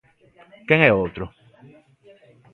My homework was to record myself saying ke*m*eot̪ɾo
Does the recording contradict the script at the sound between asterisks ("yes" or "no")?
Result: yes